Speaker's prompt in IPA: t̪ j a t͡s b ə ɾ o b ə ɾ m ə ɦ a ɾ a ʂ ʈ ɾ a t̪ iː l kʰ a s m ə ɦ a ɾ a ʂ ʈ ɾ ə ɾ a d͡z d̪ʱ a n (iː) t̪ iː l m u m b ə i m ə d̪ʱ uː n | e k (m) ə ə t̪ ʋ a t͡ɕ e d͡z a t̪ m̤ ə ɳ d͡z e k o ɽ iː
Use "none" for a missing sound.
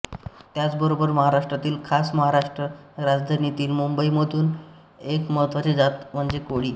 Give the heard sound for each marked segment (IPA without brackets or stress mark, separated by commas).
i, m